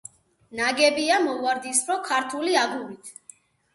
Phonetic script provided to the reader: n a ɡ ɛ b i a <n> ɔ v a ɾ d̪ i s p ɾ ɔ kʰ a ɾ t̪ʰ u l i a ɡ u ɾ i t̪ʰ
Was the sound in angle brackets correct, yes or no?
no